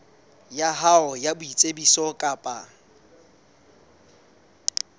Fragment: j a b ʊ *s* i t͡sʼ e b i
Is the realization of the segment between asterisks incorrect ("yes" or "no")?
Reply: yes